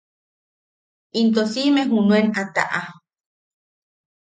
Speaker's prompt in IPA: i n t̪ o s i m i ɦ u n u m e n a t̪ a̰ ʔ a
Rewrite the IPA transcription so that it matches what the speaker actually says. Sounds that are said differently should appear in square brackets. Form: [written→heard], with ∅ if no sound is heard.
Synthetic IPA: i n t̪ o s i m [i→e] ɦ u n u [m→∅] e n a t̪ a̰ ʔ a

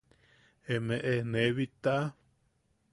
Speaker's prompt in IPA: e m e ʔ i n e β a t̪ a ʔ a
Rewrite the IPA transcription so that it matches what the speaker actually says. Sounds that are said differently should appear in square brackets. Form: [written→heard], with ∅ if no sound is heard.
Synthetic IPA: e m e ʔ [i→e] n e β [a→i] t̪ a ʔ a

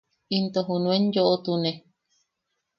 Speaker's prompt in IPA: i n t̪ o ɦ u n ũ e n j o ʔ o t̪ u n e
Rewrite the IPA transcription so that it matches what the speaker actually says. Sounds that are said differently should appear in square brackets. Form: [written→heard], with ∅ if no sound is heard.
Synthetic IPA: i n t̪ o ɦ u n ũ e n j o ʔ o t̪ u n e

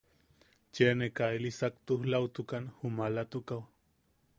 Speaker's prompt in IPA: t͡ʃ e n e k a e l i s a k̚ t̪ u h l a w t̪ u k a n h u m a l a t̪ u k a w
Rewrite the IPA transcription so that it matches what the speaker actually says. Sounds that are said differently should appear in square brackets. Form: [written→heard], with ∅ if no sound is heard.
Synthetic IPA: t͡ʃ e n e k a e l i s a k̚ t̪ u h l a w t̪ u k a n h u m a l a t̪ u k a w

